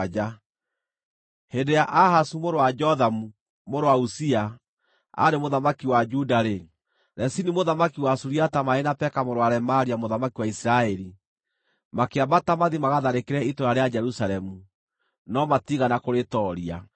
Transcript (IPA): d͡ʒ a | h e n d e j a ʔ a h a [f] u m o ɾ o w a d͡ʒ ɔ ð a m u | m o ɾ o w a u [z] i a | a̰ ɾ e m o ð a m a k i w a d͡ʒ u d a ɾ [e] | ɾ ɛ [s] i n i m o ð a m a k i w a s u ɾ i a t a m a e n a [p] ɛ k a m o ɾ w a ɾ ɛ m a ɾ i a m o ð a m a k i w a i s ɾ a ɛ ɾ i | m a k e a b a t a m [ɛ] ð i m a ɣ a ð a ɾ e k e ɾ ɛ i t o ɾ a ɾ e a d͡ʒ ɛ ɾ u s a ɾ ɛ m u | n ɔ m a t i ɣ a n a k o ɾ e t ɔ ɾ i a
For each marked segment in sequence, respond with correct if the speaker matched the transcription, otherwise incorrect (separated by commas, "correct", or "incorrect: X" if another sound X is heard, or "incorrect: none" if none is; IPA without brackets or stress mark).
incorrect: s, incorrect: s, correct, correct, correct, incorrect: a